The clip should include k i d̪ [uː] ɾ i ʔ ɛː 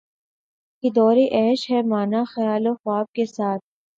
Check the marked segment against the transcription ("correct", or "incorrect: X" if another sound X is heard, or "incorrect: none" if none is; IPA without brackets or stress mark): incorrect: ɔː